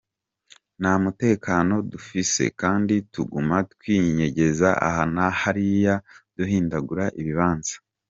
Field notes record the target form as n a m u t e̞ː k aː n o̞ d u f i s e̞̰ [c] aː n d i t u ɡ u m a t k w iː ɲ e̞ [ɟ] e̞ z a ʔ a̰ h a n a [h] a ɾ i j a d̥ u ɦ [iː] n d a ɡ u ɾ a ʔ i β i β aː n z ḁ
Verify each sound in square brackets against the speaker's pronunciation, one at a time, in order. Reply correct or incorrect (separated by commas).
incorrect, correct, correct, correct